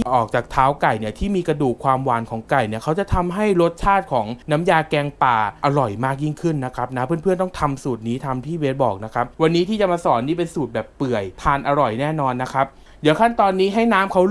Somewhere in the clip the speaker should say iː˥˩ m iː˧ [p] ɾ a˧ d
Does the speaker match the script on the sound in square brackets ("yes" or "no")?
no